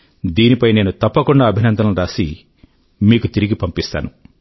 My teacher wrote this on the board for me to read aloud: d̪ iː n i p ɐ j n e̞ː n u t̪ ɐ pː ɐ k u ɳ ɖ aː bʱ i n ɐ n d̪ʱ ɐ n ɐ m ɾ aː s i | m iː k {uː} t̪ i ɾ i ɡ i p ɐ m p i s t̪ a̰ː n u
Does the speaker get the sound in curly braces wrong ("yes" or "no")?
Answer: yes